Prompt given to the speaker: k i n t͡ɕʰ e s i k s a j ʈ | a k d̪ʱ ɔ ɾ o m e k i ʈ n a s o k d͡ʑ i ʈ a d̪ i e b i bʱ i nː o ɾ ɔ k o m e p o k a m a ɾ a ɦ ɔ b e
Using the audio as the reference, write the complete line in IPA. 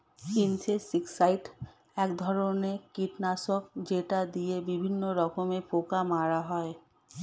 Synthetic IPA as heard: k i n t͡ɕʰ e s i k s a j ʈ | ɛ k d̪ʱ ɔ ɾ o n e k i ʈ n a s o k d͡ʑ e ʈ a d̪ i e b i bʱ i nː o ɾ ɔ k o m e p o k a m a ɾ a ɦ ɔ e